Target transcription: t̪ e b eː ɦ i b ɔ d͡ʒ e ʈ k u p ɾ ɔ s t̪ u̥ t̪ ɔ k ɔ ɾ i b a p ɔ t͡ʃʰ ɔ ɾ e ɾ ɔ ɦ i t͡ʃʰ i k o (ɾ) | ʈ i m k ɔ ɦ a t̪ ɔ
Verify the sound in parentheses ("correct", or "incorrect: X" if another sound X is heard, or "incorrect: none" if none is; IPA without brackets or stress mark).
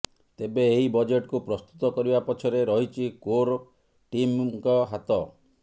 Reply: correct